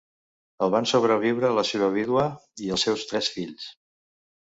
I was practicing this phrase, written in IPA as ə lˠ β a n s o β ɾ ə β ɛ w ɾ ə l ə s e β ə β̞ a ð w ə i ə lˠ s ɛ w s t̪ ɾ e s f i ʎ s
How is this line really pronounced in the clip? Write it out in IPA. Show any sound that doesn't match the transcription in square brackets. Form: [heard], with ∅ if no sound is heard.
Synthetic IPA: ə lˠ β a n s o β ɾ ə β [i] w ɾ ə l ə s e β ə β̞ [i] ð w ə i ə lˠ s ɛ w s t̪ ɾ [ɛ] s f i ʎ s